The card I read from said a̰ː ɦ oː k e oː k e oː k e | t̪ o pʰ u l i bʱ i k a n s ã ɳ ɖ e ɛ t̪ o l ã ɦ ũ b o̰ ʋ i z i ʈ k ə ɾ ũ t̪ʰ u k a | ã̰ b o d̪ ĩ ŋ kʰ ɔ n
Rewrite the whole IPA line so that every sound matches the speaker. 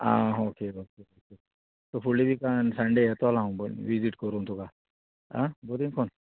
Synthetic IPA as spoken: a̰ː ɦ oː k e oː k e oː k e | t̪ o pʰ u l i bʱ i k a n s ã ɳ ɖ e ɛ t̪ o l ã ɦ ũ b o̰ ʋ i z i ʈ k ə ɾ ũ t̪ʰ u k a | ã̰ b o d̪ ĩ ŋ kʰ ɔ n